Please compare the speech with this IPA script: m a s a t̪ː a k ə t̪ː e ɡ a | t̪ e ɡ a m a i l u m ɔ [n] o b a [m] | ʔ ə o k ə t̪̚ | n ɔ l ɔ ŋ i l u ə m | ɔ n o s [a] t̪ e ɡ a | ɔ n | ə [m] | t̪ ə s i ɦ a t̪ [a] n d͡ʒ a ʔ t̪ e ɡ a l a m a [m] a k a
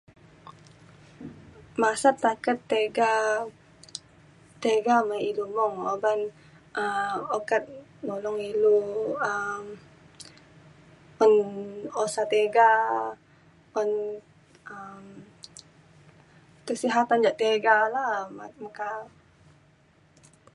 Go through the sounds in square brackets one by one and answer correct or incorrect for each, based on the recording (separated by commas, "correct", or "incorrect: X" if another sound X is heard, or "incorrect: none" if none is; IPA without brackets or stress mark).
incorrect: ŋ, incorrect: n, correct, correct, correct, correct